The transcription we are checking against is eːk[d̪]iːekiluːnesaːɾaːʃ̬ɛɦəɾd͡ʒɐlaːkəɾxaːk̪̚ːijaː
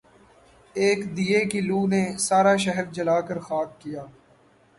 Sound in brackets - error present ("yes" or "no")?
no